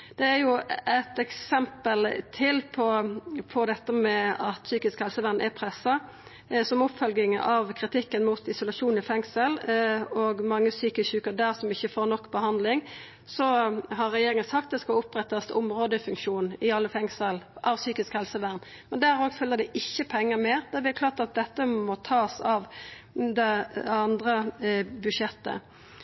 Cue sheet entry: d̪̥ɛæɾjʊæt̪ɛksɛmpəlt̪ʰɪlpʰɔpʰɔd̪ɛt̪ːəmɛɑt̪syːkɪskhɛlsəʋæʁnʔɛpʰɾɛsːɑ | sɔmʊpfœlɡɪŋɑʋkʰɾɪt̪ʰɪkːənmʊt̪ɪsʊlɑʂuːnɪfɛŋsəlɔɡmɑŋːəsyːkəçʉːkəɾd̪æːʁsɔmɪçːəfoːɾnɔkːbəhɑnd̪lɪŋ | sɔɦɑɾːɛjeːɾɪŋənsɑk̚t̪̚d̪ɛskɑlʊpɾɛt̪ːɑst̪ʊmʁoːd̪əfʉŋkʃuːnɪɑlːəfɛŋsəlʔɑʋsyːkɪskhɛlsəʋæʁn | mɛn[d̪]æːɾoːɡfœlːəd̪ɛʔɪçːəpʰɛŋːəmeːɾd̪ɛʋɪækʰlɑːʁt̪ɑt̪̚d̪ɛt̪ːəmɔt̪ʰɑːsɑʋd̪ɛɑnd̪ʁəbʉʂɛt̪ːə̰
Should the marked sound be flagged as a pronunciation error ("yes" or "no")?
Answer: no